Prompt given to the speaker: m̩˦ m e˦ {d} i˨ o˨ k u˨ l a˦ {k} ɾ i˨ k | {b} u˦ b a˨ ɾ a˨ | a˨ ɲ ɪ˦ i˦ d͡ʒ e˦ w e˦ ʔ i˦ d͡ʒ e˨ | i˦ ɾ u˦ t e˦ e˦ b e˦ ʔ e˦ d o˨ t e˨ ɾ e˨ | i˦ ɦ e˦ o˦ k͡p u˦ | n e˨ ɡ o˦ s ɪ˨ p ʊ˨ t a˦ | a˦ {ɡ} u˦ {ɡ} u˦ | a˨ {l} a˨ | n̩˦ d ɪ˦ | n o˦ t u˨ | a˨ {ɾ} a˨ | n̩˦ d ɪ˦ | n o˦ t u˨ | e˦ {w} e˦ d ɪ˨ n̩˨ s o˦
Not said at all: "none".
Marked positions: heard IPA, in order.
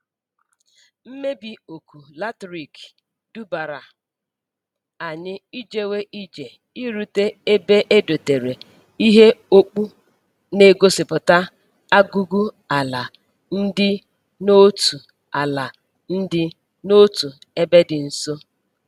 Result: b, t, d, ɡ, ɡ, l, l, b

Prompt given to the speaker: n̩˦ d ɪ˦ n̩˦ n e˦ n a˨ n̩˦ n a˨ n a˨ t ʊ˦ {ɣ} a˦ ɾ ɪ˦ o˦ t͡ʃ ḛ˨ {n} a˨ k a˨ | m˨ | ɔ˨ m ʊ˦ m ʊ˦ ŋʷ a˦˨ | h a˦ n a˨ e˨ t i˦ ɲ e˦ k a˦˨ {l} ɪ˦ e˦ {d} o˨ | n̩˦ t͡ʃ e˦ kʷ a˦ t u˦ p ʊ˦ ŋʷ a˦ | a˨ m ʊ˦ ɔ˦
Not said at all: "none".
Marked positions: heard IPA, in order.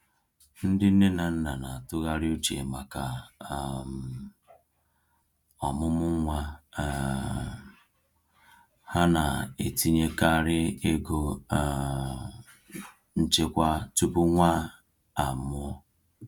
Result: ɣ, m, ɾ, ɡ

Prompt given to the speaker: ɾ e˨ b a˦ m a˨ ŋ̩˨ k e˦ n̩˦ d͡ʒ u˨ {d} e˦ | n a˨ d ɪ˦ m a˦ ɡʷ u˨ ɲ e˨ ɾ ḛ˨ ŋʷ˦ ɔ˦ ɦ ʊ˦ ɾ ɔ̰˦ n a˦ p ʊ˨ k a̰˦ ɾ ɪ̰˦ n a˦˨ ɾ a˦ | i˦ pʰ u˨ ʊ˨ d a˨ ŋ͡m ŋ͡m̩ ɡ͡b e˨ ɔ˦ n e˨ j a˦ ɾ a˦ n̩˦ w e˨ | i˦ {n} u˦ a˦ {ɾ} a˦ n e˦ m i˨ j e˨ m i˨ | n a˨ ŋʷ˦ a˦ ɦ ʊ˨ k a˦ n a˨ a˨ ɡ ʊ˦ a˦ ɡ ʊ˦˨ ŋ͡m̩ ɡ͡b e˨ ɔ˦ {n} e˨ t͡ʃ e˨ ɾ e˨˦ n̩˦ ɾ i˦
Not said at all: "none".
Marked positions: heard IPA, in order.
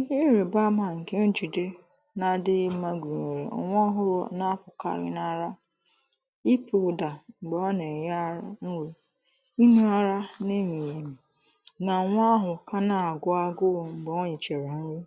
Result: d, n, ɾ, ɲ

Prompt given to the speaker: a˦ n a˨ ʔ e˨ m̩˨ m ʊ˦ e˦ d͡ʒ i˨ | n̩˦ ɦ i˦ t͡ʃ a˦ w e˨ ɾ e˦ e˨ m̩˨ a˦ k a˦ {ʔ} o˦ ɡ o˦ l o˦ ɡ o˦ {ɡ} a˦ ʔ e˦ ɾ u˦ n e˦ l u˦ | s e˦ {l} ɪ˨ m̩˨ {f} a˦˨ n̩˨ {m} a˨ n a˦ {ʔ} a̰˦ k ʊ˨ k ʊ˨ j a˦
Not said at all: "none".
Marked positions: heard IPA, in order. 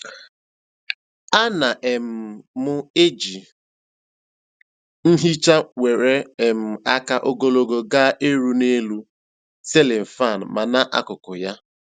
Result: ʔ, ɡ, l, f, m, ʔ

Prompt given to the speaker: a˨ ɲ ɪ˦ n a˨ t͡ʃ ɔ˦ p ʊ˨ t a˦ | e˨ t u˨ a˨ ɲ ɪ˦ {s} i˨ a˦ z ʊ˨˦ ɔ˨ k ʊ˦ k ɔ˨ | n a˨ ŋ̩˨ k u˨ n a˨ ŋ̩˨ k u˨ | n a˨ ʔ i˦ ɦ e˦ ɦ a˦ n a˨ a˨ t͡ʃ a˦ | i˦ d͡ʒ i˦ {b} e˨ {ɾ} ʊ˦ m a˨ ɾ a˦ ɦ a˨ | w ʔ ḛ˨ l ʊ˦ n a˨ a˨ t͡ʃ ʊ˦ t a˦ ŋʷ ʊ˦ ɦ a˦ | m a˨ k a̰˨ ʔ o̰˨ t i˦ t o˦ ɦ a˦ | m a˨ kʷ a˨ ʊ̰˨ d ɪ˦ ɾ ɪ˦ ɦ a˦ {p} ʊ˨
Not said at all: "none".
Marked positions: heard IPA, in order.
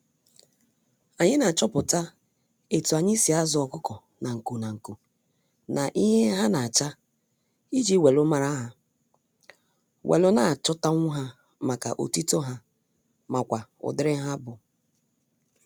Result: s, w, l, b

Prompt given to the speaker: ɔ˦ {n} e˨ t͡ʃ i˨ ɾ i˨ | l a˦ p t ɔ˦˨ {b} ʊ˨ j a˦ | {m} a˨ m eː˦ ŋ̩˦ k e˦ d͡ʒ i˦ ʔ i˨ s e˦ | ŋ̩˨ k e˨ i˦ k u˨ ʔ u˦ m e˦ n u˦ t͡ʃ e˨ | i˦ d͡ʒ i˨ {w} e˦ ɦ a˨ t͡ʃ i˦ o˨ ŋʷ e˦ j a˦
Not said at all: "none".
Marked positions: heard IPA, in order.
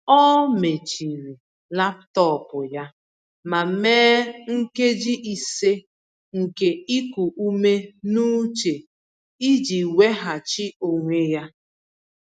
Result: m, p, m, w

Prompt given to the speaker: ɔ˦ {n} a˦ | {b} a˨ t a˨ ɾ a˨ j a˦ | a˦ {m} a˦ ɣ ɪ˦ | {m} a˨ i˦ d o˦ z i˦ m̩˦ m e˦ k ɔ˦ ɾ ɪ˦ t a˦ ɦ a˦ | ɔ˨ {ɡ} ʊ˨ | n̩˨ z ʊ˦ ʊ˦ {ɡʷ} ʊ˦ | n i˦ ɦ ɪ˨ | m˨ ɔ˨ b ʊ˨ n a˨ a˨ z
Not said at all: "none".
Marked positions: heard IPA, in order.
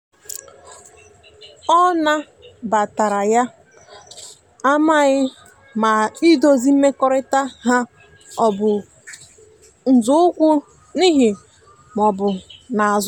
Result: n, b, m, m, b, kʷ

